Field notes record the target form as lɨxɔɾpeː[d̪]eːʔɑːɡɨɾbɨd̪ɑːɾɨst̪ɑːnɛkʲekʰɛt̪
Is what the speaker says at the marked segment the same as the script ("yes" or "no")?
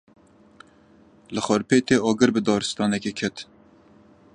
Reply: no